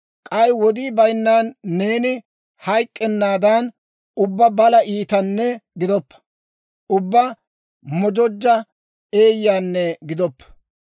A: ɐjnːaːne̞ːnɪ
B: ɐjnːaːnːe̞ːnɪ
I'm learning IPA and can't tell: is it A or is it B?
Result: B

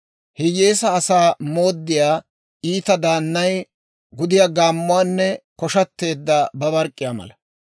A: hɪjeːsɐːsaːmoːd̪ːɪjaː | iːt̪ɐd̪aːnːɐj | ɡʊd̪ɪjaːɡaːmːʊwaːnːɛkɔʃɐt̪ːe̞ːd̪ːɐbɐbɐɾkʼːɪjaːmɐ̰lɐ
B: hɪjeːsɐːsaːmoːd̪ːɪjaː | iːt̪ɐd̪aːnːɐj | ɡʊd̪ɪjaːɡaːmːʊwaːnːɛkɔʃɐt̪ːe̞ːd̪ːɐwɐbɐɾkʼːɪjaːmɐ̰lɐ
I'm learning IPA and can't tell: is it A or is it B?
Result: A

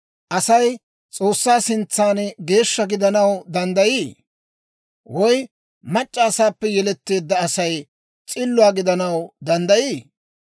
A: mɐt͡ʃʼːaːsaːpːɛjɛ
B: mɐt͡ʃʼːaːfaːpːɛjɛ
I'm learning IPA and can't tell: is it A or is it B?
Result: A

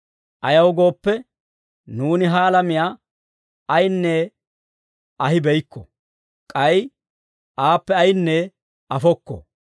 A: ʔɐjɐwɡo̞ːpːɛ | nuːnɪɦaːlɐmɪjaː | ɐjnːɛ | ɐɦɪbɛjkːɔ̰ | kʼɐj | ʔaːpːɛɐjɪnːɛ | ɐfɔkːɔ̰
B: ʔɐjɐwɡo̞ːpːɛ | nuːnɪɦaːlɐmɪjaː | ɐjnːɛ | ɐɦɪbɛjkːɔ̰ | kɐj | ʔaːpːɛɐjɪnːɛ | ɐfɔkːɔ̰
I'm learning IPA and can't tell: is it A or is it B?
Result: A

